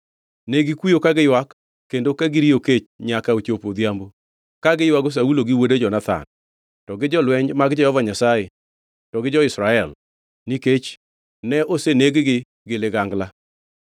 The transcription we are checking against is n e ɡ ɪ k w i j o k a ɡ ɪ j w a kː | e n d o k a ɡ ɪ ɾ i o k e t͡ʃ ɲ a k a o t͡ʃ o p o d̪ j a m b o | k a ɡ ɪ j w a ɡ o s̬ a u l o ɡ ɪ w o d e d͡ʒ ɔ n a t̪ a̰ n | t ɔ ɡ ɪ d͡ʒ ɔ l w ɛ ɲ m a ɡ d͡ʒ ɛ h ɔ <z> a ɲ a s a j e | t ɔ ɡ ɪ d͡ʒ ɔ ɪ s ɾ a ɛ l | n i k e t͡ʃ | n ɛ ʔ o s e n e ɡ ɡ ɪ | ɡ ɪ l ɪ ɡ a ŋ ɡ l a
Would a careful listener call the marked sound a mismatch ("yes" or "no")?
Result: yes